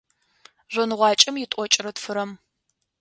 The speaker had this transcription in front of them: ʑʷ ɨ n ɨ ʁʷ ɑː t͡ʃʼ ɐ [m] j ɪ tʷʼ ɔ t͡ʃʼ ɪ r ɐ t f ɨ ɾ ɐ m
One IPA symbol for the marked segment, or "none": m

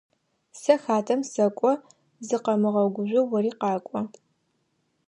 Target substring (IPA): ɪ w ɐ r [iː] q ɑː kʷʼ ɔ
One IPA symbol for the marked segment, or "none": iː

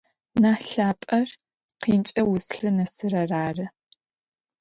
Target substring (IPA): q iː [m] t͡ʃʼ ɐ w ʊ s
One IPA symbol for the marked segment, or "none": n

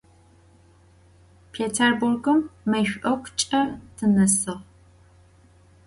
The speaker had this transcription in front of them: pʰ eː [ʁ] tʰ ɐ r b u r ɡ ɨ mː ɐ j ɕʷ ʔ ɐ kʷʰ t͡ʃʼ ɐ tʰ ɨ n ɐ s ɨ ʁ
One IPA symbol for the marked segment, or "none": none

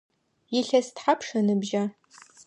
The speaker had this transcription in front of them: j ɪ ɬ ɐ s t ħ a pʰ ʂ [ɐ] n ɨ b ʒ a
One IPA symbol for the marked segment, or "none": ɐ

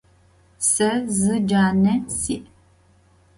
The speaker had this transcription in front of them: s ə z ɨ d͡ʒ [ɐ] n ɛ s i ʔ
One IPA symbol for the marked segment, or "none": a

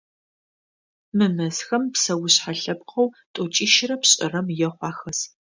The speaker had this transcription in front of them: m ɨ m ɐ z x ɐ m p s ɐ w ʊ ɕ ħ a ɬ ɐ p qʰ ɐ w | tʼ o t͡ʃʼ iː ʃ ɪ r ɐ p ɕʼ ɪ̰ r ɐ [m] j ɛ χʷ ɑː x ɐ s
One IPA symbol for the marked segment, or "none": m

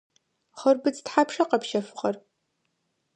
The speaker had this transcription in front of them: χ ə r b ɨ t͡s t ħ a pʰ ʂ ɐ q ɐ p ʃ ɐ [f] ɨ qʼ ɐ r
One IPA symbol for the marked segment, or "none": f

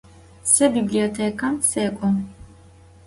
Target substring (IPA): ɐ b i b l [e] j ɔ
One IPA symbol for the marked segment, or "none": i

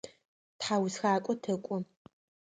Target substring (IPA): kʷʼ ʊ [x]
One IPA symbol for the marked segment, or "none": none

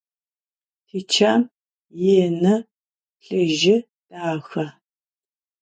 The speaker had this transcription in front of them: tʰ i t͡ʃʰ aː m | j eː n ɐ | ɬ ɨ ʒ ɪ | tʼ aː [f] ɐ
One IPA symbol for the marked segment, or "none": x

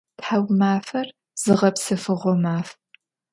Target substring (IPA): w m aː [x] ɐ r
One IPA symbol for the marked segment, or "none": f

